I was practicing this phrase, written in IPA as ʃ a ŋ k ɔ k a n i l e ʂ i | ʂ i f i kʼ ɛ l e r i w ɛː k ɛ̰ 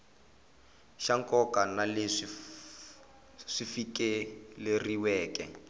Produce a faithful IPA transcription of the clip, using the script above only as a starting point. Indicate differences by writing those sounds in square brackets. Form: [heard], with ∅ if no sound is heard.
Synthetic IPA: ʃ a ŋ k ɔ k a n [a] l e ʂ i | ʂ i f i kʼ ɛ l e r i w ɛː k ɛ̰

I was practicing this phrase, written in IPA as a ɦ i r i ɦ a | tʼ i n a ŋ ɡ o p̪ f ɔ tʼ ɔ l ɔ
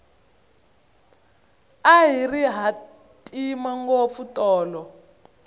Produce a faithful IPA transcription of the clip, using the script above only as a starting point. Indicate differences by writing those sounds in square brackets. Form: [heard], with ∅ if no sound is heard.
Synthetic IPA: a ɦ i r i ɦ a | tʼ i [m] a ŋ ɡ o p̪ f [u] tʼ [ɔː] l ɔ

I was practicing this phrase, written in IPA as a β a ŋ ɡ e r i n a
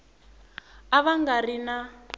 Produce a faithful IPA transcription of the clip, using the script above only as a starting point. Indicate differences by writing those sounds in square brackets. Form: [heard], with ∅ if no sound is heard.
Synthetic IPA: a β a ŋ ɡ [a] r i n a

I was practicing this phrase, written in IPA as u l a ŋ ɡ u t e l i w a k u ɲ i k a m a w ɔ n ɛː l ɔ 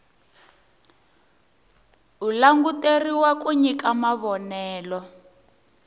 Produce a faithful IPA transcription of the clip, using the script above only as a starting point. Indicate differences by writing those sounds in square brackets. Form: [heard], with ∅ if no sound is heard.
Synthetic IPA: u l a ŋ ɡ u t e [r] i w a k u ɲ i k a m a [β] ɔ n ɛː l ɔ

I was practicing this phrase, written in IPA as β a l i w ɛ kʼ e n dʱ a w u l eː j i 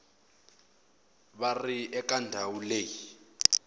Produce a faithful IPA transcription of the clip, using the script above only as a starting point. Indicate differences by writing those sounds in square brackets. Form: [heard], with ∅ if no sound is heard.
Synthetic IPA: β a [r] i [∅] ɛ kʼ [a] n dʱ a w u l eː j i

